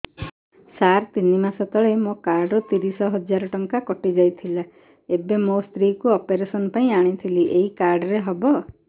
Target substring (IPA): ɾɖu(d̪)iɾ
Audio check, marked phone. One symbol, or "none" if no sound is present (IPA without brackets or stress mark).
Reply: t̪